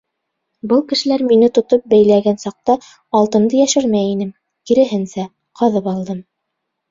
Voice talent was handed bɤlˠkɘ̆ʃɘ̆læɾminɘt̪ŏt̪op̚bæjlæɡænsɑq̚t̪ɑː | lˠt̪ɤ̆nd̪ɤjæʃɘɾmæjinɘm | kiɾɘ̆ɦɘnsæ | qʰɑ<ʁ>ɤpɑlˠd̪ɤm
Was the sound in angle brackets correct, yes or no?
no